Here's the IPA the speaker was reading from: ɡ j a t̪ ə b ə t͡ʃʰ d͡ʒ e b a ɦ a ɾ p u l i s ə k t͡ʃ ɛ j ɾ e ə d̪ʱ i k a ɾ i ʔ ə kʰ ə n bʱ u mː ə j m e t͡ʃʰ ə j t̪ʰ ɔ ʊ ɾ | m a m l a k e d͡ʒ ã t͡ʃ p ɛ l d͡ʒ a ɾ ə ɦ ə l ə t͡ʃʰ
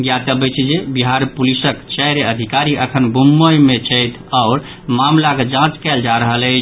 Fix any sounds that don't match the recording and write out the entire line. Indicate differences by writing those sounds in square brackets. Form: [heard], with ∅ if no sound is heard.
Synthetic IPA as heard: ɡ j a t̪ ə b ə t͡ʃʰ d͡ʒ e b [i] ɦ a ɾ p u l i s ə k t͡ʃ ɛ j ɾ e ə d̪ʱ i k a ɾ i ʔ ə kʰ ə n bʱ u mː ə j m e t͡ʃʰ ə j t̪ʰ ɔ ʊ ɾ | m a m l a k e d͡ʒ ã t͡ʃ [k] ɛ l d͡ʒ a ɾ ə ɦ ə l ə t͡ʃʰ